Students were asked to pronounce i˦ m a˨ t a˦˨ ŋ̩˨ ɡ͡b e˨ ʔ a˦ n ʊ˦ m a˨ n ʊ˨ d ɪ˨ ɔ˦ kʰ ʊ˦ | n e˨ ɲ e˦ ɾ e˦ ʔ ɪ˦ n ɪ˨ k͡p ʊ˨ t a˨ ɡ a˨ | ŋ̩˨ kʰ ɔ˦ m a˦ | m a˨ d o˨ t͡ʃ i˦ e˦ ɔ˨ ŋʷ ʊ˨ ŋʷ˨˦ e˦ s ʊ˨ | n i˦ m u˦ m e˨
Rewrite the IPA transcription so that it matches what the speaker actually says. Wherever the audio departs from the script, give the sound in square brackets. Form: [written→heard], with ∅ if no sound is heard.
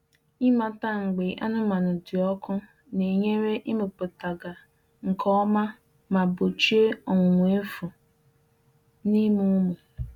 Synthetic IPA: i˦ m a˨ t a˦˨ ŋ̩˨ ɡ͡b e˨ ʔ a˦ n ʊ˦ m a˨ n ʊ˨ d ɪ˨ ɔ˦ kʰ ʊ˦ | n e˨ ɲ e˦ ɾ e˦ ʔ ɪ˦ [n→m] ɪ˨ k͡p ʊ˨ t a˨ ɡ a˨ | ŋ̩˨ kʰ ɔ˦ m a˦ | m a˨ [d→b] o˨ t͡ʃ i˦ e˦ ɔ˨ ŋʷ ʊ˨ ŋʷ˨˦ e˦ [s→f] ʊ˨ | n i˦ m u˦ m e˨